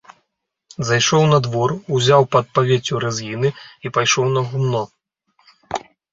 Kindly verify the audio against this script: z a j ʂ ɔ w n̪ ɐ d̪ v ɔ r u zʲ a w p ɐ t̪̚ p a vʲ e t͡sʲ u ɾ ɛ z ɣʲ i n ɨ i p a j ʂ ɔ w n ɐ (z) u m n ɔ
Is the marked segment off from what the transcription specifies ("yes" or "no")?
yes